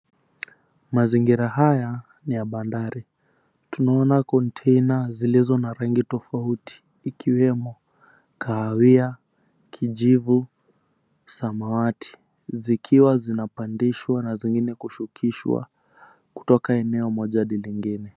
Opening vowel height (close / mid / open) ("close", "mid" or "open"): open